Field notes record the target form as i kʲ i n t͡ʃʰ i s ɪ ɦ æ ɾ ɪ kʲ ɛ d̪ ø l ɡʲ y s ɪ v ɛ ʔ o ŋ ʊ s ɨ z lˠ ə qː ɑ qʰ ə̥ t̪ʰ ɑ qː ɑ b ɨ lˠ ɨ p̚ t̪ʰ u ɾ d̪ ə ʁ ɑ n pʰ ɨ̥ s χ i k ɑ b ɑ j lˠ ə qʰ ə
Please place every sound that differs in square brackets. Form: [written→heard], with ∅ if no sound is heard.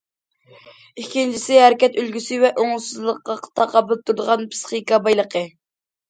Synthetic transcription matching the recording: i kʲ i n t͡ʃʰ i s ɪ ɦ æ ɾ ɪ kʲ ɛ [d̪→t̪] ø l ɡʲ y s ɪ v ɛ ʔ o ŋ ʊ s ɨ z lˠ ə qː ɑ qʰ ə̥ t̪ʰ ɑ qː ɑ b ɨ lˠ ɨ p̚ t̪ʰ u ɾ d̪ ə ʁ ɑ n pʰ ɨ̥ s χ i k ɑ b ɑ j lˠ ə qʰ ə